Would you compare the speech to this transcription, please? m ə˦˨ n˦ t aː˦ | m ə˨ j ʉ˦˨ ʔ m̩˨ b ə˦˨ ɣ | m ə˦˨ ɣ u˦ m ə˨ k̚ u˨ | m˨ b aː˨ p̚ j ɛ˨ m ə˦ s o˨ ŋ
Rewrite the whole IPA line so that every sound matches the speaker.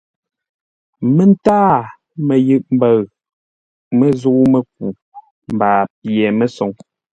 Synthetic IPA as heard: m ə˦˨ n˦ t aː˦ | m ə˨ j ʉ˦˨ ʔ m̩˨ b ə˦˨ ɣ | m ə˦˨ z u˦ m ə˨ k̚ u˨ | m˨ b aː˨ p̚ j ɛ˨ m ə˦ s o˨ ŋ